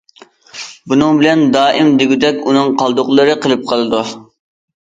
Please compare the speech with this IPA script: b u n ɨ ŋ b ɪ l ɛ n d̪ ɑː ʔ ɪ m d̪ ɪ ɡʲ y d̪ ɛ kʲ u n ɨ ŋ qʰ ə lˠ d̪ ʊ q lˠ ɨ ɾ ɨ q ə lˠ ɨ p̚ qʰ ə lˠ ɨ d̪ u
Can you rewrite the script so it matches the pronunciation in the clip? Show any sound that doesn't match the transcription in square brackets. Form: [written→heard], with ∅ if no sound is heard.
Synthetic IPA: b u n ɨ ŋ b ɪ l ɛ n d̪ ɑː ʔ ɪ m d̪ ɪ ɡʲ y d̪ ɛ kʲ u n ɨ ŋ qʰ [ə→ɑ] lˠ d̪ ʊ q lˠ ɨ ɾ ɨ q ə lˠ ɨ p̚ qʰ ə lˠ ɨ d̪ u

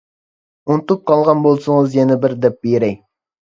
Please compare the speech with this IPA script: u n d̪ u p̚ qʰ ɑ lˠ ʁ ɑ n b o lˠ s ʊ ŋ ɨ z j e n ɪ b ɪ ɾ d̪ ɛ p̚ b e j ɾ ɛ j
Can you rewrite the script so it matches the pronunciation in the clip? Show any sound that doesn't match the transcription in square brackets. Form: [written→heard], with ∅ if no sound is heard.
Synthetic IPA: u n [d̪→t̪] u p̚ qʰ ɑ lˠ ʁ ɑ n b o lˠ s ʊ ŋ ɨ z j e n ɪ b ɪ ɾ d̪ ɛ p̚ b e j ɾ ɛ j

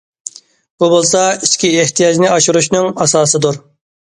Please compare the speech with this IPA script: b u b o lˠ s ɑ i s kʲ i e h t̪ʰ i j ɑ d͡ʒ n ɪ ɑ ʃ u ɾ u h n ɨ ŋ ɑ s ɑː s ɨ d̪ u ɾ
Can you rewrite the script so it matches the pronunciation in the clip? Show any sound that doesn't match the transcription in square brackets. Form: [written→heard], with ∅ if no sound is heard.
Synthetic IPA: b u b o lˠ s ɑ i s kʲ i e h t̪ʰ i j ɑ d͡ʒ n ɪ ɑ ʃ u ɾ u [h→ʃ] n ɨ ŋ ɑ s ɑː s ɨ d̪ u ɾ

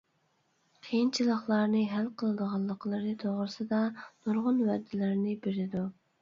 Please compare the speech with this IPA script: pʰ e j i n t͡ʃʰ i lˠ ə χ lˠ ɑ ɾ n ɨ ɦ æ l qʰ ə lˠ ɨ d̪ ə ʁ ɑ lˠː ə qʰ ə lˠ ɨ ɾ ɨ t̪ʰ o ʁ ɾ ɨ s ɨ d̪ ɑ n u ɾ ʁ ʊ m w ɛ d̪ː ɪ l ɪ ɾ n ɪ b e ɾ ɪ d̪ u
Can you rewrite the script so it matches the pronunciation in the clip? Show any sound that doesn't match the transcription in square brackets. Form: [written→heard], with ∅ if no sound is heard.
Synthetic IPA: [pʰ→qʰ] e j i n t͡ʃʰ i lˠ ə χ lˠ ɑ ɾ n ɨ ɦ æ l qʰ ə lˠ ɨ d̪ ə ʁ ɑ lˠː ə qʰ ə lˠ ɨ ɾ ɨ t̪ʰ o ʁ ɾ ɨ s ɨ d̪ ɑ n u ɾ ʁ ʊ [m→n] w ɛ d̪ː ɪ l ɪ ɾ n ɪ b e ɾ ɪ d̪ u

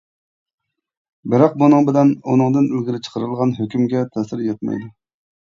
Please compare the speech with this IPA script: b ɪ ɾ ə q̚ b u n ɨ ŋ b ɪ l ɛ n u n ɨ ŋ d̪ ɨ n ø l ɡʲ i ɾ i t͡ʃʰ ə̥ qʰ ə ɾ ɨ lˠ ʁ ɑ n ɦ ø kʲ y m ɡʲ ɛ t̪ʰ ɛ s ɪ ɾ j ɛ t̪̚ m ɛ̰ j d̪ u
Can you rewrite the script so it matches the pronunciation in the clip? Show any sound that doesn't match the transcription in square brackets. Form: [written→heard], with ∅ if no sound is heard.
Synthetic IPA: b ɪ ɾ [ə→ɑ] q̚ b u n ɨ ŋ b ɪ l ɛ n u n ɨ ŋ d̪ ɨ n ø l ɡʲ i ɾ [i→ɪ] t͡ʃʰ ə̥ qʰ ə ɾ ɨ lˠ ʁ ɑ n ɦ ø kʲ y m ɡʲ ɛ t̪ʰ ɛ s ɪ ɾ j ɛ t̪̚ m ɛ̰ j d̪ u

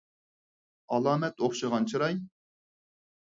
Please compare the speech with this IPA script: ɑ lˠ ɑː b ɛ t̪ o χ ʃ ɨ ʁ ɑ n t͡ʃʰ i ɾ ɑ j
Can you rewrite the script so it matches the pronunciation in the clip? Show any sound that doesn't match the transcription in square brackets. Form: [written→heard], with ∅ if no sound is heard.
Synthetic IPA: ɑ lˠ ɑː [b→m] ɛ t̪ o χ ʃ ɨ ʁ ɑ n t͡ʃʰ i ɾ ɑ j

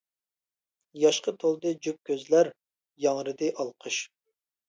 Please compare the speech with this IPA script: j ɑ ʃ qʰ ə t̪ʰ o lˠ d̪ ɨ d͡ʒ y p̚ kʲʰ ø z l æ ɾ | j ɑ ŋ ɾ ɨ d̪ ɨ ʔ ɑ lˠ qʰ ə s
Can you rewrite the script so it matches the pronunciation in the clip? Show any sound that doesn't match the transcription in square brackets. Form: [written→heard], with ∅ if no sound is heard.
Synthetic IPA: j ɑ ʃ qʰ ə t̪ʰ o lˠ d̪ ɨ d͡ʒ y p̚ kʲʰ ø z l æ ɾ | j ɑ ŋ ɾ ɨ d̪ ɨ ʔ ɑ lˠ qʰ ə [s→ʃ]

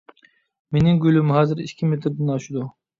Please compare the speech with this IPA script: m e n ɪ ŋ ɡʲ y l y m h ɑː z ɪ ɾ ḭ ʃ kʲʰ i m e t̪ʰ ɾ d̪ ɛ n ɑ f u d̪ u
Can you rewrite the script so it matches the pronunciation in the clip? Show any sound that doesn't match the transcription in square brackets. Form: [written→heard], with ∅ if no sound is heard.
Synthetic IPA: m e n ɪ ŋ ɡʲ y l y m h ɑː z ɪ ɾ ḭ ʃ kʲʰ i m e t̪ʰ ɾ d̪ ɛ n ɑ [f→ʃ] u d̪ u

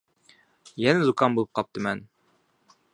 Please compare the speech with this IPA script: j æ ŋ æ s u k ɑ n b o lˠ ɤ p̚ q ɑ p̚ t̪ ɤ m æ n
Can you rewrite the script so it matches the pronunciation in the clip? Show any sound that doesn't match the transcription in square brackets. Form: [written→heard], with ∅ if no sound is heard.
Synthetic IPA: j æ [ŋ→n] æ [s→z] u k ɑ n b [o→u] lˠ ɤ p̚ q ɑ p̚ t̪ ɤ m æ n

